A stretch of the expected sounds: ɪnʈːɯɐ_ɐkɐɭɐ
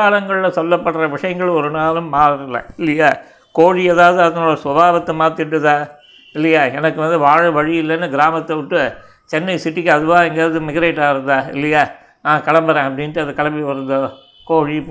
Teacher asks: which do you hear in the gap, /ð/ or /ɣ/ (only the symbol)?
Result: ð